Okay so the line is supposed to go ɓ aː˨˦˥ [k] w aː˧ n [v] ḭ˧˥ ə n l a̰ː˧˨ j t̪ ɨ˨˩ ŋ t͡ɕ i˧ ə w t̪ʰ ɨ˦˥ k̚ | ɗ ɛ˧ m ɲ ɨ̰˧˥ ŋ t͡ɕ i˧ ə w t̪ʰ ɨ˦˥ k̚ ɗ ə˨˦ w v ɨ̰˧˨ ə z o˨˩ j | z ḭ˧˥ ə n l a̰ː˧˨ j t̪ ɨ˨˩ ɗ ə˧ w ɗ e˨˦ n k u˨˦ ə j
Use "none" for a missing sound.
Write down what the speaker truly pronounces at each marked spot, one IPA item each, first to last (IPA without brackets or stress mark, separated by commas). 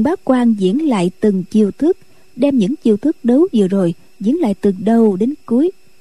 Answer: k, z